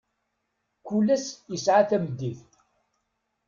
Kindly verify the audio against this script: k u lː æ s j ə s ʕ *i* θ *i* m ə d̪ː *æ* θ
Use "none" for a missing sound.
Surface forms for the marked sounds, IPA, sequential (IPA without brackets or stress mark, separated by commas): a, æ, i